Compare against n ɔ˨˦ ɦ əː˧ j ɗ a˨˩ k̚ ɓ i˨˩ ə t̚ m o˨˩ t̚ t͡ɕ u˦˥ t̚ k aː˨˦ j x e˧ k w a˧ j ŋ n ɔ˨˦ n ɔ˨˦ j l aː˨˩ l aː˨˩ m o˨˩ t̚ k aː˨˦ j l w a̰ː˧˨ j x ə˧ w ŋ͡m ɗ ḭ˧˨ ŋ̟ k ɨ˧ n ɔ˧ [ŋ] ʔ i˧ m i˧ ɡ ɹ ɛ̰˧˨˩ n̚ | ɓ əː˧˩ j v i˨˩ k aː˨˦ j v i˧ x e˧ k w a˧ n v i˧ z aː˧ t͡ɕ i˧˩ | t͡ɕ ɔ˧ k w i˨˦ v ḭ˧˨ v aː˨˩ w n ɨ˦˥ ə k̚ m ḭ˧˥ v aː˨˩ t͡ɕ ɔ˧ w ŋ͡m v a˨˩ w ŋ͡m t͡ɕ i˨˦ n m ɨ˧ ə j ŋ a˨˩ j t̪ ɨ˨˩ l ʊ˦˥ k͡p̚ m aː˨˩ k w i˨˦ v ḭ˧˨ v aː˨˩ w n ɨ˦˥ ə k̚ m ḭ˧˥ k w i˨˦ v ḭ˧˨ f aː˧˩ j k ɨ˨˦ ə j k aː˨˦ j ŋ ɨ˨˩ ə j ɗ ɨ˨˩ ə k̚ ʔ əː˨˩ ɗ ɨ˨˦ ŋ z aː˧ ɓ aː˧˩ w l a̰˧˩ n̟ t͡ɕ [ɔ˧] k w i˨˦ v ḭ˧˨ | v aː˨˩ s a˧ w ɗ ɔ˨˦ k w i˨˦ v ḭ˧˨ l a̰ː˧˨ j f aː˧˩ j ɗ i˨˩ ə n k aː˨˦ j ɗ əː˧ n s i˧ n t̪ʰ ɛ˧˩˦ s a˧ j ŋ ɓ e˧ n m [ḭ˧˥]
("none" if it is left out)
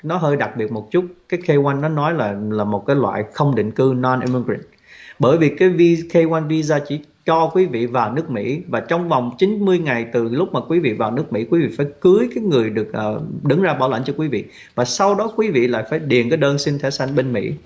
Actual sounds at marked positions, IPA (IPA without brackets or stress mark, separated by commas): n, ɔ˧, ḭ˧˥